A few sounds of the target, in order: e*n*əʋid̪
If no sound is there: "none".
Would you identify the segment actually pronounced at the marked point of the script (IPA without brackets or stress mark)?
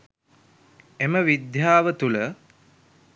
m